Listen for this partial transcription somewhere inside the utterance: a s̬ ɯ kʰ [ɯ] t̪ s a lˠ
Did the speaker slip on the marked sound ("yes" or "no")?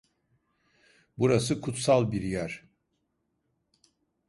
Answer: yes